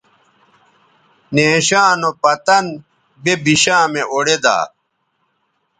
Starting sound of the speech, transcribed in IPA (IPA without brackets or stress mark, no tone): n